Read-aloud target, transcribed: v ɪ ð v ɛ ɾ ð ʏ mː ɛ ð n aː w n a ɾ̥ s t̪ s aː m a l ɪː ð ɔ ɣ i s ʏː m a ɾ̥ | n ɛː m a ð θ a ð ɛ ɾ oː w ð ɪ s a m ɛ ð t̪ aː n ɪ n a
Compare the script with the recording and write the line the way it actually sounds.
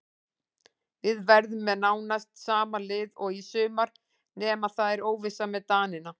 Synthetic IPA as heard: v ɪ ð v ɛ ɾ ð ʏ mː ɛ ð n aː w n a s t̪ s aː m a l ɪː ð ɔ ɣ i s ʏː m a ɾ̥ | n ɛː m a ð θ a ð ɛ ɾ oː w v ɪ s a m ɛ ð t̪ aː n ɪ n a